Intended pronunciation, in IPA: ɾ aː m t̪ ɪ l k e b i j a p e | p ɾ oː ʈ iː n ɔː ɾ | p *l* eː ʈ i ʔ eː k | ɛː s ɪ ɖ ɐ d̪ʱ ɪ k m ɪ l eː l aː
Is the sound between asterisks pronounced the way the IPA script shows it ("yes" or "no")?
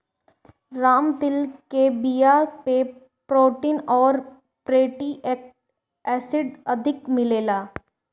no